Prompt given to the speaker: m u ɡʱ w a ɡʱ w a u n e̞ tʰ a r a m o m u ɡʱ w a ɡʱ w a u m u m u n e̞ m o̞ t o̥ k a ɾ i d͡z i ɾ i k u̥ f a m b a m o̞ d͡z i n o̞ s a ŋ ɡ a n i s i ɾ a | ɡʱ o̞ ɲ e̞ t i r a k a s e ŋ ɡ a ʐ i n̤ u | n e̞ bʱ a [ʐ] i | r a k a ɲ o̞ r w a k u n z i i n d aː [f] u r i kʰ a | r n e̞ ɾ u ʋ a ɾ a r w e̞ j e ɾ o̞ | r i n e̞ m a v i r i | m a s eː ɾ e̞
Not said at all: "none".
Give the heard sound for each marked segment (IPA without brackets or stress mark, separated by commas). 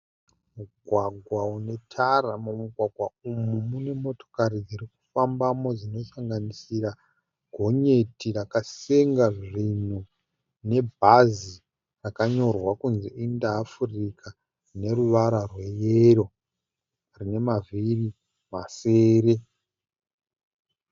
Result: z, f